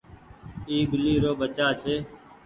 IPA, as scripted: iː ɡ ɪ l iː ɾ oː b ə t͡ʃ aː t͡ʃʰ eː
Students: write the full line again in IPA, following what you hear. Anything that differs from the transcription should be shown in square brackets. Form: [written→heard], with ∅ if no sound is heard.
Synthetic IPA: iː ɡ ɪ l iː ɾ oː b ə t͡ʃ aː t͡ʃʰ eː